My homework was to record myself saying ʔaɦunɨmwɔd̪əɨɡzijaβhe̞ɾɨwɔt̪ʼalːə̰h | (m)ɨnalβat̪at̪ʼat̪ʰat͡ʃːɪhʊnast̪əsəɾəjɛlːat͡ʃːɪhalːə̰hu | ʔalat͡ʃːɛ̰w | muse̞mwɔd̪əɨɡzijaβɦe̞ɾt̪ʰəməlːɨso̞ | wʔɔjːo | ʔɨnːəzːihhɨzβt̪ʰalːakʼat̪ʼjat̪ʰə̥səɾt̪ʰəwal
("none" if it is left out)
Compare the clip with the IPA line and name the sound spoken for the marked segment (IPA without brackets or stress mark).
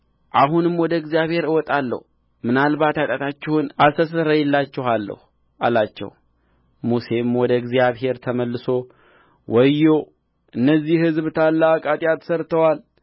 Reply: m